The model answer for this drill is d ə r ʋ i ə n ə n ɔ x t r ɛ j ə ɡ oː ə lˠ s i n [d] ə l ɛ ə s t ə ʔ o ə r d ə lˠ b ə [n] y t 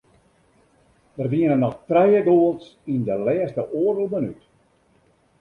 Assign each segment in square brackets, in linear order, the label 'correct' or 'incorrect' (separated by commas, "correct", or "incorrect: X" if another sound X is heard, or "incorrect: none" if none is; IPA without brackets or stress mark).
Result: correct, correct